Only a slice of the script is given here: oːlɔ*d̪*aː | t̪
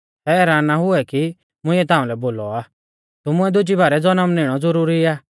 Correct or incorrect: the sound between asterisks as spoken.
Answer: incorrect: none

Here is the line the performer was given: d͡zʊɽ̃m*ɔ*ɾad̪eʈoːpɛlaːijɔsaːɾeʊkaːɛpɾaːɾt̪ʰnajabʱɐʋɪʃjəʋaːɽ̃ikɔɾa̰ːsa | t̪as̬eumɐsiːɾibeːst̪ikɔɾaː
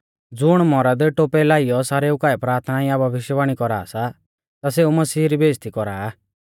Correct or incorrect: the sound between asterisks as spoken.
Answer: correct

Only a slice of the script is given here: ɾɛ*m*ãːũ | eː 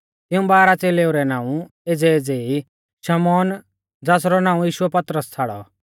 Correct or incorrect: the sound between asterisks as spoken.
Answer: incorrect: n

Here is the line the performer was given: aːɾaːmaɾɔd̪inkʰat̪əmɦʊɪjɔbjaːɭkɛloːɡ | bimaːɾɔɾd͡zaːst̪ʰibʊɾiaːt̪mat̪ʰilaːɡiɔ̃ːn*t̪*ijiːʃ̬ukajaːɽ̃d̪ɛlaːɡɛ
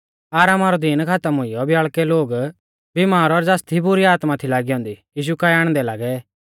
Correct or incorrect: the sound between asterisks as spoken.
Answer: incorrect: d̪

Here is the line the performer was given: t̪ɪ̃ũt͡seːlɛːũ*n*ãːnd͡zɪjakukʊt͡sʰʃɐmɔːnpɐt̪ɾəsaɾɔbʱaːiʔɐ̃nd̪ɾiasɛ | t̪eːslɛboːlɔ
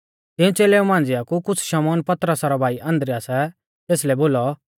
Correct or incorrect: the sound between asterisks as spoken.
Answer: incorrect: m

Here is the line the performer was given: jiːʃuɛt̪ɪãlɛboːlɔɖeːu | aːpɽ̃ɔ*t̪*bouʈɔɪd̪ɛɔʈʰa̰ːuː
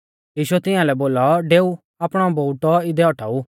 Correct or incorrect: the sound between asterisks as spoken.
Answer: incorrect: none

